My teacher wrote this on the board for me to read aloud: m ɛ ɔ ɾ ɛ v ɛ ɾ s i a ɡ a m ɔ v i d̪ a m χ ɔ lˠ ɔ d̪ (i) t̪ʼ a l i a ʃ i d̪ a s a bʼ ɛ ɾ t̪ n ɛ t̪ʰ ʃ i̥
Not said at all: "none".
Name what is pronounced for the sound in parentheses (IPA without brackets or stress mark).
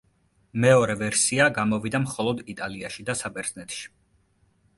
i